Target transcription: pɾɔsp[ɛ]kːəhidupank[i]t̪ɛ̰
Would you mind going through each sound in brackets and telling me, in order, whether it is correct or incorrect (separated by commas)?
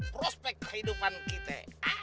correct, correct